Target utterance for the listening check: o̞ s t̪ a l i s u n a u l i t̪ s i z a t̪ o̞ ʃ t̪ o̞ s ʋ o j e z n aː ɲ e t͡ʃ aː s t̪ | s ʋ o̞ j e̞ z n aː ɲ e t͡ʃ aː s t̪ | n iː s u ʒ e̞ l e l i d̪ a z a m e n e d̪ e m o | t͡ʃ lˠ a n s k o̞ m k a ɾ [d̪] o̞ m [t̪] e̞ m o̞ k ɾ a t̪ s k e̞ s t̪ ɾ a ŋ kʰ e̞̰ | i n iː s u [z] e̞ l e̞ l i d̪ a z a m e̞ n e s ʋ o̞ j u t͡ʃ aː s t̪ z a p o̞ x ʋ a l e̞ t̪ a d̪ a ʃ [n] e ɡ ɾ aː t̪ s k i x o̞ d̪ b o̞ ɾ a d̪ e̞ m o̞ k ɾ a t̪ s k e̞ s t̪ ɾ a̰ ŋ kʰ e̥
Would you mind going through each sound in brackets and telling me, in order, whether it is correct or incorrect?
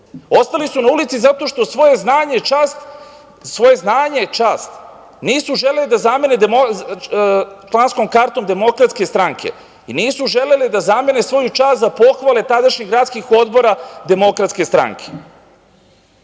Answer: incorrect: t̪, incorrect: d̪, incorrect: ʒ, incorrect: ɲ

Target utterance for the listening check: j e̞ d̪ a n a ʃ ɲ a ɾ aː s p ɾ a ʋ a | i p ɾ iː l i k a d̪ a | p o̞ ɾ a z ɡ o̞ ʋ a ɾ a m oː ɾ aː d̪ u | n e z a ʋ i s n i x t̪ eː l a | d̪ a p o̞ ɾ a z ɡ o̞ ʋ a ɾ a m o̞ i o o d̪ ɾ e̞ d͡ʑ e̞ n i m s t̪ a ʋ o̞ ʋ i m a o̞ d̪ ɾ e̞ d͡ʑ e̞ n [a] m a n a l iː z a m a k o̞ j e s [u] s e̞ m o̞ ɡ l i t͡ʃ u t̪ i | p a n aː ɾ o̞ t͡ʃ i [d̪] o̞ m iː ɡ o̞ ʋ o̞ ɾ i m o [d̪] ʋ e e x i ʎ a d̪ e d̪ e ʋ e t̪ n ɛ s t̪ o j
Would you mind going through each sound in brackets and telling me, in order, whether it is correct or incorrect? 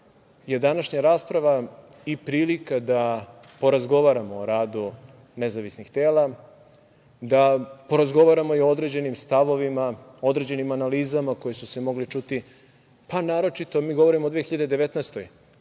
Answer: incorrect: i, correct, incorrect: t̪, correct

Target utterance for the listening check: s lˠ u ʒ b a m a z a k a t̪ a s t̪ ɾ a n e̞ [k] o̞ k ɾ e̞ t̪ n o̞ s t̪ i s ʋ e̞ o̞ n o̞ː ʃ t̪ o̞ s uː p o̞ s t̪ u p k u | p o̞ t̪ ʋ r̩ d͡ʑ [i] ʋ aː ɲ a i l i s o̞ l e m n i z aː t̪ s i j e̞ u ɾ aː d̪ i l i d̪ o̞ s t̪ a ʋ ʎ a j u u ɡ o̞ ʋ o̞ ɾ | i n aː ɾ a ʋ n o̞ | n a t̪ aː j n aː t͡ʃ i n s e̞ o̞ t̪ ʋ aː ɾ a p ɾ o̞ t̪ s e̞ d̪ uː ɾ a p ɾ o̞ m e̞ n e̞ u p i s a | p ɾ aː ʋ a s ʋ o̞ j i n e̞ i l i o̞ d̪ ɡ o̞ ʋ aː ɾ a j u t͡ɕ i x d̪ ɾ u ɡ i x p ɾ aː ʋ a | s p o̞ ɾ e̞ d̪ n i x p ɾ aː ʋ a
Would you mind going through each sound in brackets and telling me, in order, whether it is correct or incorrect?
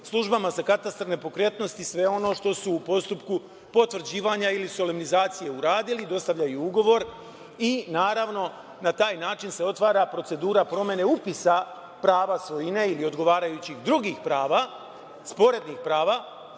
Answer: incorrect: p, incorrect: iː

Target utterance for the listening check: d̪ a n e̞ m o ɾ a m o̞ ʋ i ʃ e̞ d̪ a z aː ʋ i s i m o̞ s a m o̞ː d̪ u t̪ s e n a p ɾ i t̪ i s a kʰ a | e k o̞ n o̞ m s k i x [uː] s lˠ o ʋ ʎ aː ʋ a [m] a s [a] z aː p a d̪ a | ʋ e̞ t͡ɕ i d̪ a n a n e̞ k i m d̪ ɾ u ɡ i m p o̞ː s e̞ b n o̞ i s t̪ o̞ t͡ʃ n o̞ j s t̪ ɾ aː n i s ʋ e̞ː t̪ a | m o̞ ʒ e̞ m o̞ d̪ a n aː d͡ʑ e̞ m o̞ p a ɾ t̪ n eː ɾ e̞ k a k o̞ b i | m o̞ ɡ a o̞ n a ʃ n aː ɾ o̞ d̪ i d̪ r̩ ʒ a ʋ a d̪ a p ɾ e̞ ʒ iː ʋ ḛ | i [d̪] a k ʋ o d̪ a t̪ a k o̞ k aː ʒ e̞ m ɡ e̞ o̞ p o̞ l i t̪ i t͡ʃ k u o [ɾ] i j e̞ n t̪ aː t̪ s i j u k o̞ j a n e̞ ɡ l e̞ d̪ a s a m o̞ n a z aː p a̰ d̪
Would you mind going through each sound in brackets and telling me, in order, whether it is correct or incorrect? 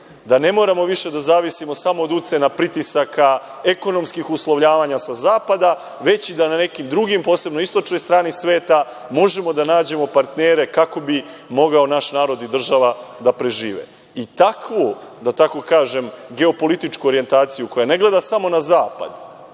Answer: incorrect: u, incorrect: ɲ, correct, incorrect: t̪, correct

